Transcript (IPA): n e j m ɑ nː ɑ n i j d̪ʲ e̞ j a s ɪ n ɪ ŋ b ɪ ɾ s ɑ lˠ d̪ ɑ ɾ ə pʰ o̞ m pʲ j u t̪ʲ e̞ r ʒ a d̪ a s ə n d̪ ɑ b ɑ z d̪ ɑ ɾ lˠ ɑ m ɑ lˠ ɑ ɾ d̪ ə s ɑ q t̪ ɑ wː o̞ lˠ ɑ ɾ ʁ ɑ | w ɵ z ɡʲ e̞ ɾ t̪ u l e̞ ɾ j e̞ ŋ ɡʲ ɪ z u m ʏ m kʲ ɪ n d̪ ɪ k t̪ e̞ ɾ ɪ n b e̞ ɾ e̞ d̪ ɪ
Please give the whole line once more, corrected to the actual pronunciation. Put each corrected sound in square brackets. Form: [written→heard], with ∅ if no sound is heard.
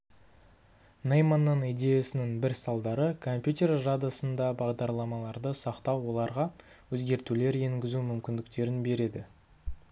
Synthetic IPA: n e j m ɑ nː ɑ n i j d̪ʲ e̞ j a s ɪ n ɪ ŋ b ɪ ɾ s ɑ lˠ d̪ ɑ ɾ ə [pʰ→kʰ] o̞ m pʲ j u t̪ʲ e̞ r ʒ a d̪ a s ə n d̪ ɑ b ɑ [z→ʁ] d̪ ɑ ɾ lˠ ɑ m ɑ lˠ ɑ ɾ d̪ ə s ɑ q t̪ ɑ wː o̞ lˠ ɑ ɾ ʁ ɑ | w ɵ z ɡʲ e̞ ɾ t̪ u l e̞ ɾ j e̞ ŋ ɡʲ ɪ z u m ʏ m kʲ ɪ n d̪ ɪ k t̪ e̞ ɾ ɪ n b e̞ ɾ e̞ d̪ ɪ